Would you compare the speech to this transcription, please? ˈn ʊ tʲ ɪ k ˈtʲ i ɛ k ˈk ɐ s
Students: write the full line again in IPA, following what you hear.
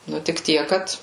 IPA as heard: ˈn ʊ tʲ ɪ k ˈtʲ i ɛ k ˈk ɐ t